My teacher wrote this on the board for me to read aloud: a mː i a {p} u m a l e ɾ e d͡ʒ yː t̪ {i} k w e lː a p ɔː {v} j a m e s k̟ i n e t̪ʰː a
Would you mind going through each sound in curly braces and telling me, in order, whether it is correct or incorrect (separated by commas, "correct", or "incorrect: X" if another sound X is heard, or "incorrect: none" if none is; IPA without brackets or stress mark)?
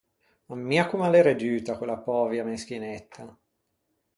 incorrect: k, incorrect: a, correct